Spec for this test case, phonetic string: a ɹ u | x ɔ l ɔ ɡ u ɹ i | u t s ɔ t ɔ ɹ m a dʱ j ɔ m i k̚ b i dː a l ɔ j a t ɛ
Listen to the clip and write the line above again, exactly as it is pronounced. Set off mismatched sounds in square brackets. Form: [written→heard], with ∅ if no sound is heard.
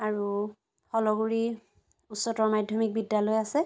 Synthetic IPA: a ɹ u | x ɔ l ɔ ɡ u ɹ i | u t s ɔ t ɔ ɹ m a dʱ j ɔ m i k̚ b i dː a l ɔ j a [t→s] ɛ